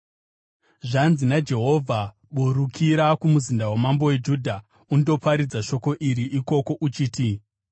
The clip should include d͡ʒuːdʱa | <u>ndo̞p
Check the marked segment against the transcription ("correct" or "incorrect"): correct